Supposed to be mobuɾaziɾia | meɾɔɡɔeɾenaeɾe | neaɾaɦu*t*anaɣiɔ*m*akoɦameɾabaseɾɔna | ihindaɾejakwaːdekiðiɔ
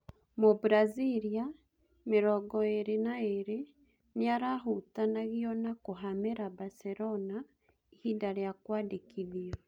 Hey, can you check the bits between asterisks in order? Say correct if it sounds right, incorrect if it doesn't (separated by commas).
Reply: correct, incorrect